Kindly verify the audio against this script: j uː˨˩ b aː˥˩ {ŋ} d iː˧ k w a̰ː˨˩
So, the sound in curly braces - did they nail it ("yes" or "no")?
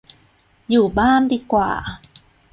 no